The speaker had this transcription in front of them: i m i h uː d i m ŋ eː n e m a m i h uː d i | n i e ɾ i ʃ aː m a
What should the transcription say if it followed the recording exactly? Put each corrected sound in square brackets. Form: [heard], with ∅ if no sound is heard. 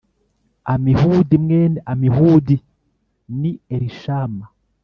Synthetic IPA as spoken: [a] m i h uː d i m ŋ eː n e [∅] a m i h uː d i | n i e ɾ i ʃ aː m a